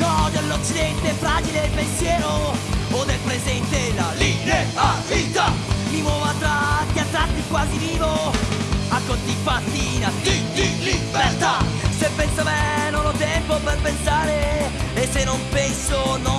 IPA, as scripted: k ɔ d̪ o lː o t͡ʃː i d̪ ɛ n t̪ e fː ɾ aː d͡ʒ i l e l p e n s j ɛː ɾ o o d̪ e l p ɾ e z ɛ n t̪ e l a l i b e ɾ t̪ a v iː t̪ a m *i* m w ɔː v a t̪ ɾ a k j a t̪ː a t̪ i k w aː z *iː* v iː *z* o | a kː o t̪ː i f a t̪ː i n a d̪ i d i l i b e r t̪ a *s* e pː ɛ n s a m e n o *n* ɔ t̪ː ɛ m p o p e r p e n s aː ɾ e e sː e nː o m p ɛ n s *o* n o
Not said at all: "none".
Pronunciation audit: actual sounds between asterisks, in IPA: i, i, v, s, n, o

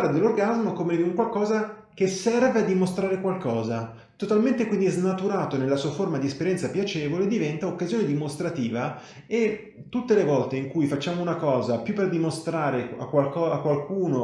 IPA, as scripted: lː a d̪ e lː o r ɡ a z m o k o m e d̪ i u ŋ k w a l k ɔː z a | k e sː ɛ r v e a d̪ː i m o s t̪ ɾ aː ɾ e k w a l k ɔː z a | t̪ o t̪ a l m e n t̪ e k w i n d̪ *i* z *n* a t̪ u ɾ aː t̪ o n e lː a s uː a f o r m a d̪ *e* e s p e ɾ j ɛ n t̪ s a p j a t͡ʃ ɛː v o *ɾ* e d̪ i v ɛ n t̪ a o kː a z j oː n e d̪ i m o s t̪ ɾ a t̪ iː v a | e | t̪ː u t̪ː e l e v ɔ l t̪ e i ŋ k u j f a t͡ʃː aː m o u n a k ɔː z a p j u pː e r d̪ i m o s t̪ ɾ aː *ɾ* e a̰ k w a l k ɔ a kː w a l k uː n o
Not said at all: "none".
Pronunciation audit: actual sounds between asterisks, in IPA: i, n, i, l, ɾ

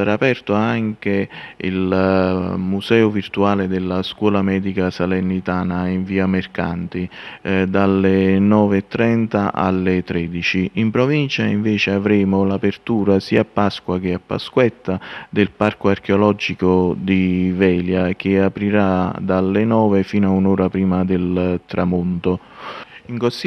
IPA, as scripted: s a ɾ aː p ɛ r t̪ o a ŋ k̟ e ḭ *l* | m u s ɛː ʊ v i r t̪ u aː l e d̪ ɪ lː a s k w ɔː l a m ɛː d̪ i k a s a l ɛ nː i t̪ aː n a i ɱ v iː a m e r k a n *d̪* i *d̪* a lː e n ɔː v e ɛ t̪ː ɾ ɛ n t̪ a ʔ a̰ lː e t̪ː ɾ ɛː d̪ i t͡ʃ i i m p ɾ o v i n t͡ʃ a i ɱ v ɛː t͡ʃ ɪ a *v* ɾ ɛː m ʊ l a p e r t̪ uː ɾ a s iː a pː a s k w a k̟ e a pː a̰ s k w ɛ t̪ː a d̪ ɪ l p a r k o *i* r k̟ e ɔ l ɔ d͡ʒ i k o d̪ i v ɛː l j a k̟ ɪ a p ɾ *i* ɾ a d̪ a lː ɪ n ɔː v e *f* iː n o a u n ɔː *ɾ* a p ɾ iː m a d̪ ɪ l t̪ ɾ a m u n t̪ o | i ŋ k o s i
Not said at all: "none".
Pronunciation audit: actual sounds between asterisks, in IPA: l, t̪, d̪, v, a, i, f, ɾ

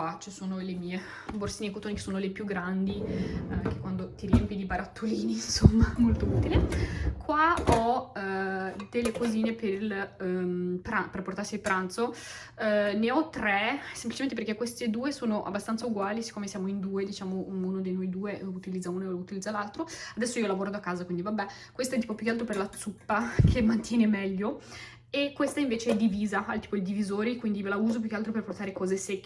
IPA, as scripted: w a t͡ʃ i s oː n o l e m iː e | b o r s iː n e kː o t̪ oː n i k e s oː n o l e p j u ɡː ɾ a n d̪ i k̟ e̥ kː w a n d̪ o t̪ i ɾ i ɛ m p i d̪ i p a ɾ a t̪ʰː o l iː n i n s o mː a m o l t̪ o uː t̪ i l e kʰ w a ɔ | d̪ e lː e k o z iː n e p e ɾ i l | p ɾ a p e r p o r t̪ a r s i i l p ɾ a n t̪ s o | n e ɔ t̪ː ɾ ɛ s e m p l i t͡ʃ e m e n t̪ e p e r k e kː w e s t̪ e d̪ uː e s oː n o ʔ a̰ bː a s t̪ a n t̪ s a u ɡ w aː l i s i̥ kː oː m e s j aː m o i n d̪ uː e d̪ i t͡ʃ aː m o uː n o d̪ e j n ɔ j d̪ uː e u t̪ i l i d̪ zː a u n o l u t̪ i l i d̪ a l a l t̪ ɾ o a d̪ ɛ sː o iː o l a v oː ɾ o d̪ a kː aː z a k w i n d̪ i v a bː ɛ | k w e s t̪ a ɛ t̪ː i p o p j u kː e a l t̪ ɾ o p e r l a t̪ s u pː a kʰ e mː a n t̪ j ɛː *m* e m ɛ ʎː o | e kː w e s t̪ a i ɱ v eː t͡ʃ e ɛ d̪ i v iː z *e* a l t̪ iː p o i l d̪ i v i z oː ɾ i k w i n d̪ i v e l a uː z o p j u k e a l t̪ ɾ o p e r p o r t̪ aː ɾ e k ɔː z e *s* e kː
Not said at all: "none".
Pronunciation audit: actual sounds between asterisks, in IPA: n, a, s

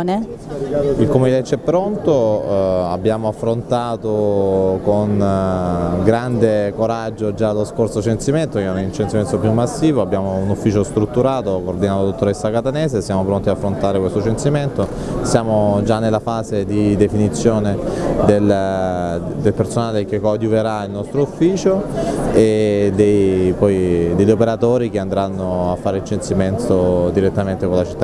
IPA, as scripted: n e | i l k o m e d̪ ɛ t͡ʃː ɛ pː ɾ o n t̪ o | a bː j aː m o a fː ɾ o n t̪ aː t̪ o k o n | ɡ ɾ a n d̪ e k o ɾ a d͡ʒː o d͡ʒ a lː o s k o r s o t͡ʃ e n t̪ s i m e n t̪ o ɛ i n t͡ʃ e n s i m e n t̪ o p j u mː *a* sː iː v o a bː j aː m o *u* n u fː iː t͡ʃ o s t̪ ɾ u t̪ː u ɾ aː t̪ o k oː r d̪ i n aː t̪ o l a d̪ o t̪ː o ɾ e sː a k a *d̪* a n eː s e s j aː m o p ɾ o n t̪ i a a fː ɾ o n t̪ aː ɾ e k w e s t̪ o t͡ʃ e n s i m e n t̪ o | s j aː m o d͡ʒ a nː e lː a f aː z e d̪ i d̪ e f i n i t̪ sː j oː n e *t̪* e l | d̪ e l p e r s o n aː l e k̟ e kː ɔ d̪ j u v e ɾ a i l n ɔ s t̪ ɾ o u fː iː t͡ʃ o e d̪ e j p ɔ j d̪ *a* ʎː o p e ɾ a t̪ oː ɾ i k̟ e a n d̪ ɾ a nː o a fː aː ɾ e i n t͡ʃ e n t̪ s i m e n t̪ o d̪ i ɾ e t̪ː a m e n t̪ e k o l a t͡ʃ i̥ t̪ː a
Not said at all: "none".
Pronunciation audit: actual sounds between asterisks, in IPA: a, u, t̪, d̪, e

